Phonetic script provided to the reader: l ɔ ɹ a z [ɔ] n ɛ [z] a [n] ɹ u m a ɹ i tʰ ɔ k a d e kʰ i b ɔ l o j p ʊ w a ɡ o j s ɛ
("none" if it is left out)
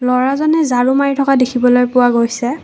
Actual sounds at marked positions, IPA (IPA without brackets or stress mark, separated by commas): ɔ, z, none